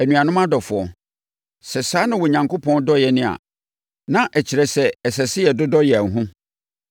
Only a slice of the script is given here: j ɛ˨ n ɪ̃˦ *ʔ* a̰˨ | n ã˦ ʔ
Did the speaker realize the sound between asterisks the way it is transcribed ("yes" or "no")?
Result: no